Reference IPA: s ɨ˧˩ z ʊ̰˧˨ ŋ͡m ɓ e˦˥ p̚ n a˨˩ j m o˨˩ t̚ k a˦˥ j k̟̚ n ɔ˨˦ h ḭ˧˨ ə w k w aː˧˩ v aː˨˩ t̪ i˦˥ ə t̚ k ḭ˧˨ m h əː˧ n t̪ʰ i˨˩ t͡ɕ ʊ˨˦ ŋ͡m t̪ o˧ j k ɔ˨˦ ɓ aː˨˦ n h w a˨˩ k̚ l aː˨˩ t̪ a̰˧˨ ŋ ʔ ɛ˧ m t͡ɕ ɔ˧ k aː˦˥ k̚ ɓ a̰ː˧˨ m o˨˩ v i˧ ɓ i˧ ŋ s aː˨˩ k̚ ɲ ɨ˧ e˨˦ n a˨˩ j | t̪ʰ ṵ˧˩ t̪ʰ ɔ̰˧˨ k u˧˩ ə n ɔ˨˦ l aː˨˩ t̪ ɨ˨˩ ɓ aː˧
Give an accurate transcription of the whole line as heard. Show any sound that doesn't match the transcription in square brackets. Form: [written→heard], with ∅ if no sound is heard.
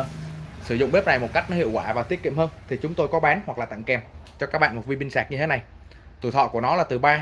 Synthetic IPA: s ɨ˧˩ z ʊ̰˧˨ ŋ͡m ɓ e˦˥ p̚ n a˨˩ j m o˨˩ t̚ k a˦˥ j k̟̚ n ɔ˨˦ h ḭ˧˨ ə w k w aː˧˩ v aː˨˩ t̪ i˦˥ ə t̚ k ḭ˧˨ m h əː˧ n t̪ʰ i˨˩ t͡ɕ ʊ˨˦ ŋ͡m t̪ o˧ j k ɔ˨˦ ɓ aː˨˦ n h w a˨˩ k̚ l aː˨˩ t̪ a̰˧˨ ŋ [ʔ→k] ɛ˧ m t͡ɕ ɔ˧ k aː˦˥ k̚ ɓ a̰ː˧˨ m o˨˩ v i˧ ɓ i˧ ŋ s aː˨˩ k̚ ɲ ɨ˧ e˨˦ n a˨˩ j | [t̪ʰ→t̪] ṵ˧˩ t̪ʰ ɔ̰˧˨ k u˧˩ ə n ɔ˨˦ l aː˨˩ t̪ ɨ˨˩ ɓ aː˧